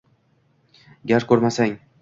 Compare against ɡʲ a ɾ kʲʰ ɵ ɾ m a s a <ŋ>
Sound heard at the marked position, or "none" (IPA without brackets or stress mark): ŋ